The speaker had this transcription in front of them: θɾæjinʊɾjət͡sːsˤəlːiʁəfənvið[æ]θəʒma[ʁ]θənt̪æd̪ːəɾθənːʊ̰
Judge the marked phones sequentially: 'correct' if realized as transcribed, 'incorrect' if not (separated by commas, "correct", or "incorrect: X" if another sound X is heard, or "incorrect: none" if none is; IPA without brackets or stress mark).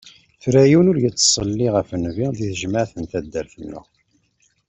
incorrect: i, incorrect: ʕ